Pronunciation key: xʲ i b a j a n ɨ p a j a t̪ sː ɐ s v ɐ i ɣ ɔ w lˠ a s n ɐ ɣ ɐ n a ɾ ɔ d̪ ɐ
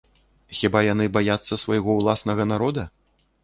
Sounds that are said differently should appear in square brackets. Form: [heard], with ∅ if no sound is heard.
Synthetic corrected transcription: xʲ i b a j a n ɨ [b] a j a t̪ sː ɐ s v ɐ [j] ɣ ɔ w lˠ a s n ɐ ɣ ɐ n a ɾ ɔ d̪ ɐ